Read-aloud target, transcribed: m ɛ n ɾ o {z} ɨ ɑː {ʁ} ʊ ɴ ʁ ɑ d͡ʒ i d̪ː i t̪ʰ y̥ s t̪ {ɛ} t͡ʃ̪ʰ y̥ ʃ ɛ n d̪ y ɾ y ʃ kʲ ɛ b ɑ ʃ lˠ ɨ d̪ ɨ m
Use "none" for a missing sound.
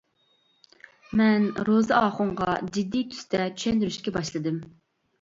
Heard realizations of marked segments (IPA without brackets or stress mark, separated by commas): z, χ, ɛ